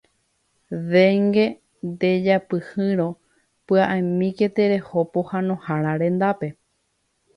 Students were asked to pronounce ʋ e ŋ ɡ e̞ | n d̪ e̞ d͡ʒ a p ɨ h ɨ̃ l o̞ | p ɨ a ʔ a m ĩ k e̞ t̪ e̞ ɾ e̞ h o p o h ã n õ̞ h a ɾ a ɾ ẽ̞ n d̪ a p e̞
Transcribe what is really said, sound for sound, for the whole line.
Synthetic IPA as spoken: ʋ e ŋ ɡ e̞ | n d̪ e̞ d͡ʒ a p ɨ h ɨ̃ ɾ o̞ | p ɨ a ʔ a m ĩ k e̞ t̪ e̞ ɾ e̞ h o p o h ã n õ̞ h a ɾ a ɾ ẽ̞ n d̪ a p e̞